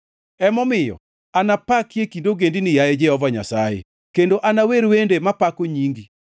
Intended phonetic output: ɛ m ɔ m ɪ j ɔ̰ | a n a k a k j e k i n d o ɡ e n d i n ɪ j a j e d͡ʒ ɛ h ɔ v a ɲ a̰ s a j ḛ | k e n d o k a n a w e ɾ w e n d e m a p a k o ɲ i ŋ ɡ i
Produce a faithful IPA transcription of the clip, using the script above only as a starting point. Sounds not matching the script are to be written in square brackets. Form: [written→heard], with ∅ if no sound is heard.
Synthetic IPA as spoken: ɛ m ɔ m ɪ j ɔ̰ | a n a [k→p] a k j e k i n d o ɡ e n d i n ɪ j a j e d͡ʒ ɛ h ɔ v a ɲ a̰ s a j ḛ | k e n d o [k→ʔ] a n a w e ɾ w e n d e m a p a k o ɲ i ŋ ɡ i